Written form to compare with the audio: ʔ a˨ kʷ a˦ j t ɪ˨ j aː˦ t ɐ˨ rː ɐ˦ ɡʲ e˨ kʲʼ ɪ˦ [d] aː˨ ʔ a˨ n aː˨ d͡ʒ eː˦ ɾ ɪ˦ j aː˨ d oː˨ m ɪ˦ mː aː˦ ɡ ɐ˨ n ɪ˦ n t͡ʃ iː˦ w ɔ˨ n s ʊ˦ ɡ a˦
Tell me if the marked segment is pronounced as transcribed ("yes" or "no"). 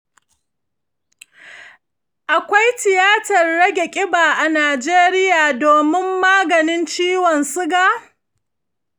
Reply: no